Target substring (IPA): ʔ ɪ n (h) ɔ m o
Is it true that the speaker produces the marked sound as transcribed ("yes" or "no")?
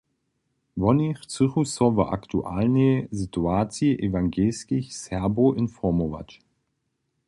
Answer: no